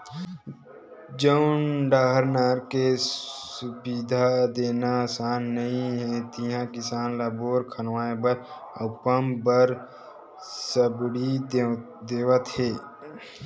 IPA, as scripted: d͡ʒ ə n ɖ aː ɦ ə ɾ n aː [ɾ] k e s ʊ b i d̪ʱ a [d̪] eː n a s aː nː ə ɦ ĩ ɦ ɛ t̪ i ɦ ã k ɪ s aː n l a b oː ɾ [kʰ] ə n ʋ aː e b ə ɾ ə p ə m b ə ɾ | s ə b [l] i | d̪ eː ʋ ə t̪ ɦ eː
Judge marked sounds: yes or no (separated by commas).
yes, yes, yes, no